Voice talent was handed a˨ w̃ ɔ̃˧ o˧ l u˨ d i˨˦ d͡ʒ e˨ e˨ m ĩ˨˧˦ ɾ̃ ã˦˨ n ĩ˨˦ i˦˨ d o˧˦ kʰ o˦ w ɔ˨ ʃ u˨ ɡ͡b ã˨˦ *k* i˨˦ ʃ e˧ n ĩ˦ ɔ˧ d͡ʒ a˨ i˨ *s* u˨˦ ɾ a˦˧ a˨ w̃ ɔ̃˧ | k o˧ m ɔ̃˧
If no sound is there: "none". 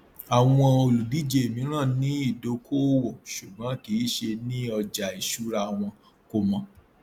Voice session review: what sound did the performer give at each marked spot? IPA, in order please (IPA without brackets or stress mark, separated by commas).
k, ʃ